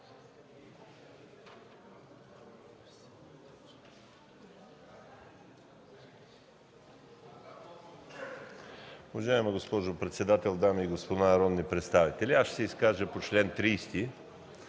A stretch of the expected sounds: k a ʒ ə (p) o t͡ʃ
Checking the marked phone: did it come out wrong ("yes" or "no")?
no